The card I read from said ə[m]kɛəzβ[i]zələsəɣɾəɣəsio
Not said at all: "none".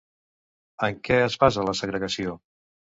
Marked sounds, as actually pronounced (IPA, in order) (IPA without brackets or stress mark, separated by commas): ŋ, a